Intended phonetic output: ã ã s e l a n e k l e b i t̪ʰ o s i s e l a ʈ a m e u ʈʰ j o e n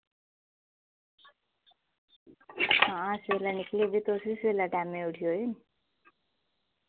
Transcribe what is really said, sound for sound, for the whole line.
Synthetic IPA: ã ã s e l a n i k l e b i t̪ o s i s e l a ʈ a m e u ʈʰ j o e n